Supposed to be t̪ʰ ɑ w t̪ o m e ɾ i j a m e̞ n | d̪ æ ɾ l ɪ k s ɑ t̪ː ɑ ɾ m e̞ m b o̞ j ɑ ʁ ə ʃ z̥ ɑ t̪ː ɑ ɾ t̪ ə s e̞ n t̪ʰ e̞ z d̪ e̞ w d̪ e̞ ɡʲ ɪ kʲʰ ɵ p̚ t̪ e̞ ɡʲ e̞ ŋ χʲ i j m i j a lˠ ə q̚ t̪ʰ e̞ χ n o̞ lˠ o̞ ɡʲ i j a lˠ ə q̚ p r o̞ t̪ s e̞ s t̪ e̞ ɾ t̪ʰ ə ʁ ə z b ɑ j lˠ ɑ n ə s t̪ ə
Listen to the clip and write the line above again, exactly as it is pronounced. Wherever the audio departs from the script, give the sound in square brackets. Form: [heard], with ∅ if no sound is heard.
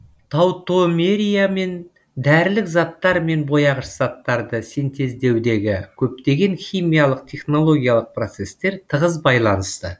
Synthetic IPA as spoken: t̪ʰ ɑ w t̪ o m e ɾ i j a m e̞ n | d̪ æ ɾ l ɪ k [z] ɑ t̪ː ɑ ɾ m e̞ [n] b o̞ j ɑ ʁ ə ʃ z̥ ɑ t̪ː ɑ ɾ [d̪] ə s e̞ n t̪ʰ e̞ z d̪ e̞ w d̪ e̞ ɡʲ ɪ kʲʰ ɵ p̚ t̪ e̞ ɡʲ e̞ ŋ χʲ i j m i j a lˠ ə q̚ t̪ʰ e̞ χ n o̞ lˠ o̞ ɡʲ i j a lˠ ə q̚ p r o̞ t̪ s e̞ s t̪ e̞ ɾ t̪ʰ ə ʁ ə z b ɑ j lˠ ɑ n ə s t̪ ə